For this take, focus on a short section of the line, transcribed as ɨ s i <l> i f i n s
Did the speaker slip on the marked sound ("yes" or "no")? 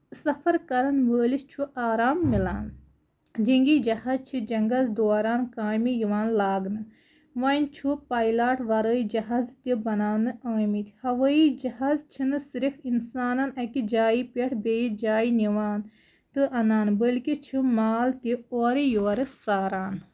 yes